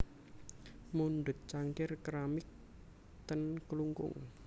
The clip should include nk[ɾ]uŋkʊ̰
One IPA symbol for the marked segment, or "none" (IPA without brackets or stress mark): l